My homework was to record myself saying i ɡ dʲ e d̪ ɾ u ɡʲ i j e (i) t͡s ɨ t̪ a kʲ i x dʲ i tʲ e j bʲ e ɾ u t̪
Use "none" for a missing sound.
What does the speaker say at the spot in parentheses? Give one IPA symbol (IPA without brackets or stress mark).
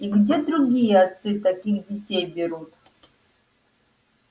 a